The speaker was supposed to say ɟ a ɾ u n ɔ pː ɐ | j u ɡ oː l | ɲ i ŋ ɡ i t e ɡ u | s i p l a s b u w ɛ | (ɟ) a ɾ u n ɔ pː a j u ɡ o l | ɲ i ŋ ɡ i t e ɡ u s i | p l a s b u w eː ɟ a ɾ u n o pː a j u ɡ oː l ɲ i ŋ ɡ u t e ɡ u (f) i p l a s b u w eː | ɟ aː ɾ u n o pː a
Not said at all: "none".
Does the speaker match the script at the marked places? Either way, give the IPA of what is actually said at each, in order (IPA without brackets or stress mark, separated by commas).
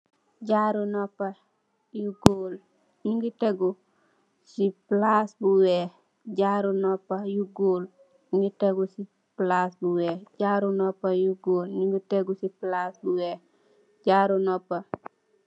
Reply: ɟ, s